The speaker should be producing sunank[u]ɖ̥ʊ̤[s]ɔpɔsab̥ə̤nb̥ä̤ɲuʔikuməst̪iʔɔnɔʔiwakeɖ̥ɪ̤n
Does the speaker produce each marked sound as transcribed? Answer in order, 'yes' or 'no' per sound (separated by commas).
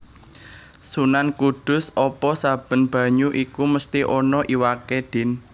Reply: yes, yes